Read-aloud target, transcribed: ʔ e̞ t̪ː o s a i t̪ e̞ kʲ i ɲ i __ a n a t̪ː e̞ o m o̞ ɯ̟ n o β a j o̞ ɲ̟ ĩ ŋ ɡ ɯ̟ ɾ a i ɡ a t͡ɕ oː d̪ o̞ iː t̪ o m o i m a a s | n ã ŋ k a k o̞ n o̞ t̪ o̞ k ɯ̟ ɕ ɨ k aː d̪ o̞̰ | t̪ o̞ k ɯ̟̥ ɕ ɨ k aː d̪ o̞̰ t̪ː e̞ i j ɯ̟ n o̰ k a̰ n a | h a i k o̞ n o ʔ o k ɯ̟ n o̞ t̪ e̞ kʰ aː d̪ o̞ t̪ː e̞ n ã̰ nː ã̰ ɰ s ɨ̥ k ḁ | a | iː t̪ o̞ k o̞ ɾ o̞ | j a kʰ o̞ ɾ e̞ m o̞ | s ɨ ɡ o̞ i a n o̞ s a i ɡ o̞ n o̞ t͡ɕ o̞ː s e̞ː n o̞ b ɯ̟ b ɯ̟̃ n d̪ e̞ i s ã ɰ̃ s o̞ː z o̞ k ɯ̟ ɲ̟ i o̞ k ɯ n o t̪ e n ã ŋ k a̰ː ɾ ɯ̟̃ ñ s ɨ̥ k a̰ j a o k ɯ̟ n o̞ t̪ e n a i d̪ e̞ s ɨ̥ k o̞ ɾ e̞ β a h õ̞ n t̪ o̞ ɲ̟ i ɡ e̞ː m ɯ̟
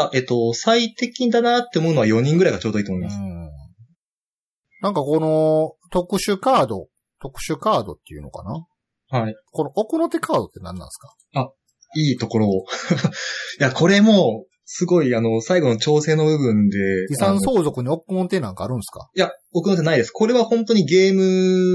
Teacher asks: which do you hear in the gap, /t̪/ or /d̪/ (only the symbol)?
d̪